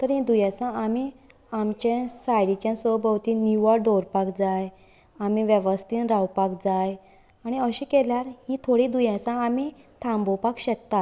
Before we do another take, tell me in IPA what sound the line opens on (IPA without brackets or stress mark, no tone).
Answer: t̪